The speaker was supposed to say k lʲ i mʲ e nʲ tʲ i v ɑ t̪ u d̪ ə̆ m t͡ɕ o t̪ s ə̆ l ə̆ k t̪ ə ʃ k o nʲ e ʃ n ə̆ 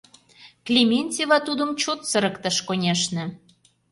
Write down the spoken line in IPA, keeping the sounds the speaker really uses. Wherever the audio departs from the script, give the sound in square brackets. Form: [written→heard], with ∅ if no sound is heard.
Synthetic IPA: k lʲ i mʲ e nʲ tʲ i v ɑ t̪ u d̪ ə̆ m t͡ɕ o t̪ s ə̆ [l→ɾ] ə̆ k t̪ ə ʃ k o nʲ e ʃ n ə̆